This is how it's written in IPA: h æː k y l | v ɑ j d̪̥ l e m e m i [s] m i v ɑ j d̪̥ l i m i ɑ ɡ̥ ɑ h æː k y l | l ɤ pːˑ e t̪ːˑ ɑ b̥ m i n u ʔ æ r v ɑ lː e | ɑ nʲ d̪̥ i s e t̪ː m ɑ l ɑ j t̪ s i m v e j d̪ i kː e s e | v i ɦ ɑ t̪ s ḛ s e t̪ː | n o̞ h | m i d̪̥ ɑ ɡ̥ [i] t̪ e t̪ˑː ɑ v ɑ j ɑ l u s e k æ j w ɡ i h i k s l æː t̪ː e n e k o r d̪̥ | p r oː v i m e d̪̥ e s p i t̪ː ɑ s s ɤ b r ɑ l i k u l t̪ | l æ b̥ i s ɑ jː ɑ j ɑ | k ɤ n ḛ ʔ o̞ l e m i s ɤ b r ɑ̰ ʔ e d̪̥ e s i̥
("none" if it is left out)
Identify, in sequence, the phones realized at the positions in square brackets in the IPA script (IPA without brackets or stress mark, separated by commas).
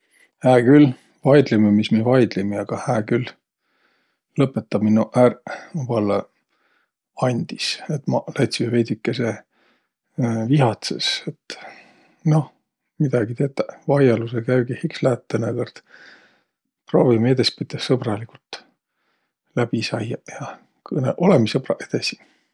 s, i